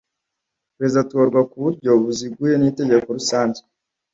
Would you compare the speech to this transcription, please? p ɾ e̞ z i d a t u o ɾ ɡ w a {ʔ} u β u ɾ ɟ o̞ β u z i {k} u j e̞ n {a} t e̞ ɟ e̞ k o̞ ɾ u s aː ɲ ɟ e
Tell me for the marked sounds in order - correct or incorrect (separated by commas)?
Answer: incorrect, incorrect, incorrect